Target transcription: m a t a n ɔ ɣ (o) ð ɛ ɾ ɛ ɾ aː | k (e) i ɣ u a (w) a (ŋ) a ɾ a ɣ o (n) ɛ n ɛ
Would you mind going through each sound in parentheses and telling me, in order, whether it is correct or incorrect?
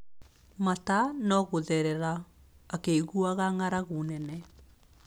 correct, correct, incorrect, correct, correct

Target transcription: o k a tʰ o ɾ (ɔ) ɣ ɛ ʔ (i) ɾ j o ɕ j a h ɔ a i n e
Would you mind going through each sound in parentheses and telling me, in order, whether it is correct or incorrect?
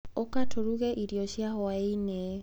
incorrect, correct

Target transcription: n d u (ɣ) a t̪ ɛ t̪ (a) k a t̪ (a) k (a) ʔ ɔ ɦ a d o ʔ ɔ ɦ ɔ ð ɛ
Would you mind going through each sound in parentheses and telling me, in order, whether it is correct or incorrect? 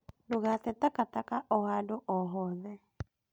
correct, correct, correct, correct

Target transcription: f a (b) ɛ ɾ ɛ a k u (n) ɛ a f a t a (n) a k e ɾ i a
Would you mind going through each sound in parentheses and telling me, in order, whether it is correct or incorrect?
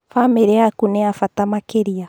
incorrect, correct, incorrect

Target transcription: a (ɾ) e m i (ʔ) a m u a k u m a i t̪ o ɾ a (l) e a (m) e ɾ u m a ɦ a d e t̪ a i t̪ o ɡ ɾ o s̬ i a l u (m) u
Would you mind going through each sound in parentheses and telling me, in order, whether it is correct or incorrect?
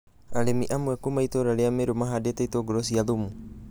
incorrect, correct, correct, correct, correct

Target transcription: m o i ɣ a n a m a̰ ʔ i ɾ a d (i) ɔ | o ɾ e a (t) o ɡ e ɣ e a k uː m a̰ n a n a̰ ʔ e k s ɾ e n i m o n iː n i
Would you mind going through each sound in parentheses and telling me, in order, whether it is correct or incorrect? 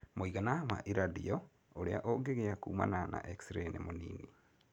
correct, incorrect

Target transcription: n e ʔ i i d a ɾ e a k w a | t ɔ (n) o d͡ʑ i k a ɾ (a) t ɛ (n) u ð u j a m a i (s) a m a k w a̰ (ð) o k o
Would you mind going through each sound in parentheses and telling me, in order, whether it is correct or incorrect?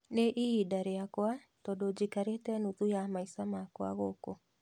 incorrect, incorrect, correct, correct, incorrect

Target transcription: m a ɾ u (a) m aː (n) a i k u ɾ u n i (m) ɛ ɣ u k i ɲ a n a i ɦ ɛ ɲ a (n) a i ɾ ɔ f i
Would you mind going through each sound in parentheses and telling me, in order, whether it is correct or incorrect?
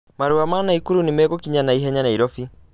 correct, correct, correct, correct

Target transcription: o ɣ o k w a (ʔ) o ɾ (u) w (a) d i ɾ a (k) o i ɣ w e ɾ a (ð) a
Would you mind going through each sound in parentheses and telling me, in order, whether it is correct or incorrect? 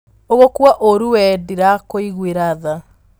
correct, correct, incorrect, correct, correct

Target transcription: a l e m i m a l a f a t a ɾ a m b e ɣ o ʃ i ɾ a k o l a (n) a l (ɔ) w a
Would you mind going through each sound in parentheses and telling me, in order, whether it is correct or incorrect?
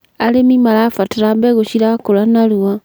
correct, incorrect

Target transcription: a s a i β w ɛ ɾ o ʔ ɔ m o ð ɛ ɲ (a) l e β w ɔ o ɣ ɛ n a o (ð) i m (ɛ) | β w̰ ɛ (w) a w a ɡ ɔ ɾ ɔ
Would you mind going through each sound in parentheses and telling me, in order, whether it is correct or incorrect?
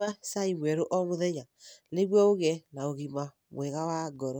correct, incorrect, incorrect, incorrect

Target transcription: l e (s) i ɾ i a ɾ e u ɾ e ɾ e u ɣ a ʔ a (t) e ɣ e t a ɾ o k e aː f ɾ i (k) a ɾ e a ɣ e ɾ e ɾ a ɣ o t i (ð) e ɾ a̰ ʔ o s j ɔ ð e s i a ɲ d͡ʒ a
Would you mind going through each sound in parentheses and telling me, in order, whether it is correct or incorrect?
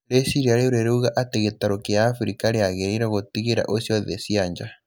correct, correct, correct, incorrect

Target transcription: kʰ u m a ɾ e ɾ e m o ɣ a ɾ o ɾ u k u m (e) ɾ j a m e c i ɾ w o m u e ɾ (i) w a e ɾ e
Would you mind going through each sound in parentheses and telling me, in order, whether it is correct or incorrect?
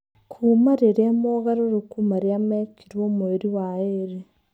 incorrect, correct

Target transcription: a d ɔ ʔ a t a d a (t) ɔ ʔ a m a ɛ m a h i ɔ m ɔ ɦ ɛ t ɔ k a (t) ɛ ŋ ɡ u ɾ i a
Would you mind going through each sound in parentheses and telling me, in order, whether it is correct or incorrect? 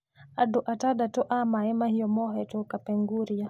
correct, incorrect

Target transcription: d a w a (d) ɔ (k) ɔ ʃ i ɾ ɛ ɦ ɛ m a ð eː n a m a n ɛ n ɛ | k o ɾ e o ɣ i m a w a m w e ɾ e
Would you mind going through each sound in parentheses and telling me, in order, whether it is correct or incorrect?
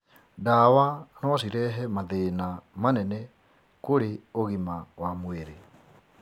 incorrect, incorrect

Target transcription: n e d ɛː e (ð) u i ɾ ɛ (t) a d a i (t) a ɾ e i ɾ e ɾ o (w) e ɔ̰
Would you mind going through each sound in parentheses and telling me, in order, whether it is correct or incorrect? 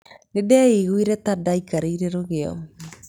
incorrect, correct, incorrect, incorrect

